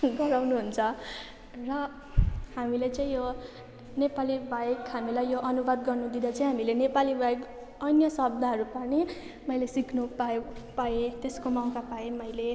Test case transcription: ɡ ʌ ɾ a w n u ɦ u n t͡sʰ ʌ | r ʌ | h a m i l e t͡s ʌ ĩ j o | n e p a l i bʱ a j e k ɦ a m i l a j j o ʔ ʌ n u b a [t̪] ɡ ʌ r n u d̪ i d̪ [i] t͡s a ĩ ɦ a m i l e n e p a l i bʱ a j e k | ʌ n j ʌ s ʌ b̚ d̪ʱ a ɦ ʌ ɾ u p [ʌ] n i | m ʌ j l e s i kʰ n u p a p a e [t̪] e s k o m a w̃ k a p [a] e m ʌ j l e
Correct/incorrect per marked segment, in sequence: incorrect: d̪, incorrect: a, incorrect: a, correct, correct

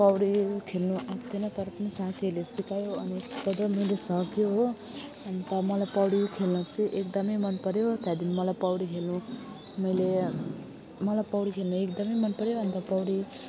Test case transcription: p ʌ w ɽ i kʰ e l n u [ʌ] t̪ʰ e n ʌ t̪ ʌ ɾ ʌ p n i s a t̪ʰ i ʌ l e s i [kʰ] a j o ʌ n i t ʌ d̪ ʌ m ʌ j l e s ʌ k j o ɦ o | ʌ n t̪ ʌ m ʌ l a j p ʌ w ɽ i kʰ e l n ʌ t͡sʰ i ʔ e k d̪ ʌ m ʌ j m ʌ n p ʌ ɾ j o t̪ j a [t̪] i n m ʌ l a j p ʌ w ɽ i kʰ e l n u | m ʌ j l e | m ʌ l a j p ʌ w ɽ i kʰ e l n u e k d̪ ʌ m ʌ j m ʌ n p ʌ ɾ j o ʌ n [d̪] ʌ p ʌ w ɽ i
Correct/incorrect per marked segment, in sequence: incorrect: a, incorrect: k, incorrect: d̪, incorrect: t̪

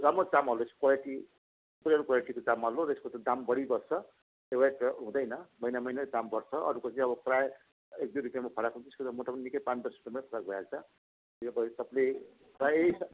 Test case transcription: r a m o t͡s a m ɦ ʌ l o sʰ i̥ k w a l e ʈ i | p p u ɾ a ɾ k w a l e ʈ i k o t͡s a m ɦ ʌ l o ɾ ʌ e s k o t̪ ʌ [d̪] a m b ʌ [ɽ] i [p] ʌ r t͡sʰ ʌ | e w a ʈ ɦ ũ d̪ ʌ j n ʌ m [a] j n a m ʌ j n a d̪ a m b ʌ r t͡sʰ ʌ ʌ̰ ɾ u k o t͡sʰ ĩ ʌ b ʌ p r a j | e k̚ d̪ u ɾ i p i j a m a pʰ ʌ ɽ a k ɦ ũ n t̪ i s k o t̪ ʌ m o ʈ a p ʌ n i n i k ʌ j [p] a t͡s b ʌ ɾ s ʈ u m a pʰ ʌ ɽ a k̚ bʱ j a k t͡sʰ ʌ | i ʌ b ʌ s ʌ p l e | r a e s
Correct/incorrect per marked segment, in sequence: correct, correct, incorrect: b, incorrect: ʌ, correct

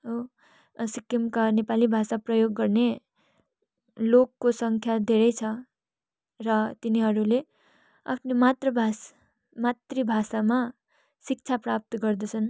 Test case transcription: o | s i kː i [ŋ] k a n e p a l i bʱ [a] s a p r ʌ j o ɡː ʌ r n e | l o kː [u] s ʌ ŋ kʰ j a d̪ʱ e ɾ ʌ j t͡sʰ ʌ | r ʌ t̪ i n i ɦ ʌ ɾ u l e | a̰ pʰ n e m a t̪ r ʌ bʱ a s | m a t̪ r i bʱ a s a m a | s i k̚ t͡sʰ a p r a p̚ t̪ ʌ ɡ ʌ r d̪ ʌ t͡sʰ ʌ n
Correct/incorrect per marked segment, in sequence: incorrect: m, correct, incorrect: o

